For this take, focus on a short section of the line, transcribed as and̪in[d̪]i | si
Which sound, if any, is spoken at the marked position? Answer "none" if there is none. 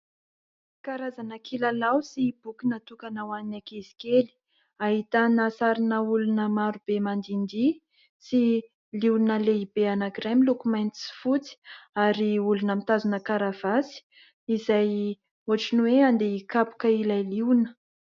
d̪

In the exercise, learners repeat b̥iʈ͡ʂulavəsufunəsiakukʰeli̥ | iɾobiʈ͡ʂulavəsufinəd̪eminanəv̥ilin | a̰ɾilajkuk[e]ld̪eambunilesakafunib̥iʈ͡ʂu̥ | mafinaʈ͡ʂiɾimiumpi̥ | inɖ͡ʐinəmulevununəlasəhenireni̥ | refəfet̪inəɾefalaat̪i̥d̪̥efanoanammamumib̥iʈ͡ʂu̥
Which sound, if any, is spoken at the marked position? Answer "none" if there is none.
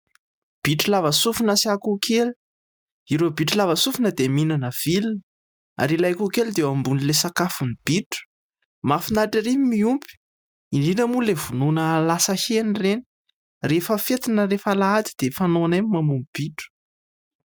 e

